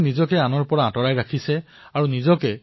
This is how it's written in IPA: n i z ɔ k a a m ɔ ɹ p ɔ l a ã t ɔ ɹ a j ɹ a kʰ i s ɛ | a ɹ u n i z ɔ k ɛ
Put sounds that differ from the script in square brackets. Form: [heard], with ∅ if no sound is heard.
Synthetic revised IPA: n i z ɔ k [ɛ] a [n] ɔ ɹ p ɔ [ɹ] a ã t ɔ ɹ a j ɹ a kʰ i s ɛ | a ɹ u n i z ɔ k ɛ